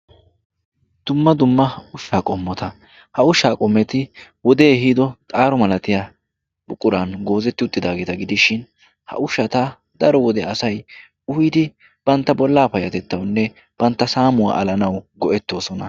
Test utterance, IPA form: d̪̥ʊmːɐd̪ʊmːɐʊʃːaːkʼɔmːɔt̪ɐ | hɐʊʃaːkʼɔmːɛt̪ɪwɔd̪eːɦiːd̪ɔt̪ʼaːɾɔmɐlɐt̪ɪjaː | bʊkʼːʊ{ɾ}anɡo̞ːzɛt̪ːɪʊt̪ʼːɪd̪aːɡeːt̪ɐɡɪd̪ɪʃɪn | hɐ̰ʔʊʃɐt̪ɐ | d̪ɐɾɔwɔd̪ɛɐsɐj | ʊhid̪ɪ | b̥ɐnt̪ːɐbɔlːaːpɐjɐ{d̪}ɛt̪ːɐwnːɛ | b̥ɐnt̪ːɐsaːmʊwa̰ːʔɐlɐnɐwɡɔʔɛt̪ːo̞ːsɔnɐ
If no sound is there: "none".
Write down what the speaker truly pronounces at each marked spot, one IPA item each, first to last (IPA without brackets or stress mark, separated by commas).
ɾ, t̪